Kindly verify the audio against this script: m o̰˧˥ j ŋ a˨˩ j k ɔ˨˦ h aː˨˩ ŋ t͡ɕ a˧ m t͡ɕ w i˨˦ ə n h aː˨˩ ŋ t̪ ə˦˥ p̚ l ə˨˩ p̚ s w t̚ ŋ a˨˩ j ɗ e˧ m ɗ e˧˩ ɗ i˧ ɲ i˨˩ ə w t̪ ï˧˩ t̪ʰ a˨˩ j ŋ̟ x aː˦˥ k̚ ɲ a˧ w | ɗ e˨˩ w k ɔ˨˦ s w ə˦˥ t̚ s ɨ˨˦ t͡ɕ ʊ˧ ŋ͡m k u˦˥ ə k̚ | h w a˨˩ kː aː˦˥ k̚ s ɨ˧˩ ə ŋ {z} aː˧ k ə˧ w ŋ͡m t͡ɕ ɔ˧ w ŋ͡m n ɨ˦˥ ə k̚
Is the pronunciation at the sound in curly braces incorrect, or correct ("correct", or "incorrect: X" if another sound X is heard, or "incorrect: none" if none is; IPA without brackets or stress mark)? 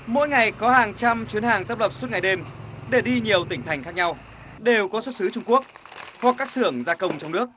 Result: correct